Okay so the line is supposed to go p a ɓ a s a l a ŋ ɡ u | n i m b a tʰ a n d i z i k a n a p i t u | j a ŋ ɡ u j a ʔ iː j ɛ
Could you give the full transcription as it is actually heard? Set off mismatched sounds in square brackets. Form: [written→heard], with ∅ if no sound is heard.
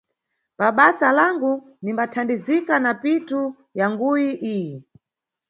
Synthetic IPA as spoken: p a ɓ a s a l a ŋ ɡ u | n i m b a tʰ a n d i z i k a n a p i t u | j a ŋ ɡ u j [a→i] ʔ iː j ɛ